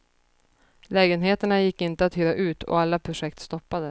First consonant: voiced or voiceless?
voiced